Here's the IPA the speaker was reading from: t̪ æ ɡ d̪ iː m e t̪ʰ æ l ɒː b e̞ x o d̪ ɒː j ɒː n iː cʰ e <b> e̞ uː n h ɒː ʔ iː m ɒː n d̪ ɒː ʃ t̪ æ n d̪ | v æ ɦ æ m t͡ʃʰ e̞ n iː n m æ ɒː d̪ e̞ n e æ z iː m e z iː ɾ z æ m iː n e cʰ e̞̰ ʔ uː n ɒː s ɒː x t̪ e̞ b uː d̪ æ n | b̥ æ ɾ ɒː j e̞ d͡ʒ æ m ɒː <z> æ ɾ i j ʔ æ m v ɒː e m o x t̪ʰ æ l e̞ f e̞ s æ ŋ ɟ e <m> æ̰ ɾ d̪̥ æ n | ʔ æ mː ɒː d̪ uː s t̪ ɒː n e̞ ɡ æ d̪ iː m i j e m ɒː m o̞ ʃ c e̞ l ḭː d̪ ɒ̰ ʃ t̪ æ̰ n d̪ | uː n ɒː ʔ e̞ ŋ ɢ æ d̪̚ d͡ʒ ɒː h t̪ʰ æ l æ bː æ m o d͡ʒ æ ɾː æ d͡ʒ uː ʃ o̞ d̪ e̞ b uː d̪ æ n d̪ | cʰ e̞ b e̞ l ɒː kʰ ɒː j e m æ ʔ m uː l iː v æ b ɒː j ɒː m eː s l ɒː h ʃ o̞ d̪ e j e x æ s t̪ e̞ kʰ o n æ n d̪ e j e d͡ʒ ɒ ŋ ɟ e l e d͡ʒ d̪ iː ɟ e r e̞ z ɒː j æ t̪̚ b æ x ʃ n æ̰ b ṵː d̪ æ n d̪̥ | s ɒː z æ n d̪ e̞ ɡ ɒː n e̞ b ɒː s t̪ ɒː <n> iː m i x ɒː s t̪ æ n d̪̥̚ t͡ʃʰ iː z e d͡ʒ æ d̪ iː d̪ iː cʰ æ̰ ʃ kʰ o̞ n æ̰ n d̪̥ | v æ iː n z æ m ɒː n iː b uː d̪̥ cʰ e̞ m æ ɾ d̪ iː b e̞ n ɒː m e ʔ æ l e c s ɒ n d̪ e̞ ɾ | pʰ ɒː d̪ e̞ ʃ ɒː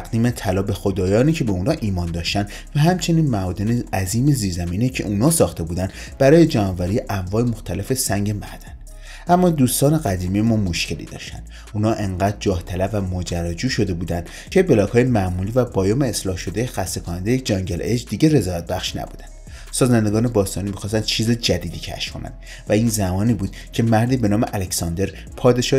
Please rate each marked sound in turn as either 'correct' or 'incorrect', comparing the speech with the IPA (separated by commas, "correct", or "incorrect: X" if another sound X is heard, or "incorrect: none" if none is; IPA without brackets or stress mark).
correct, incorrect: v, correct, correct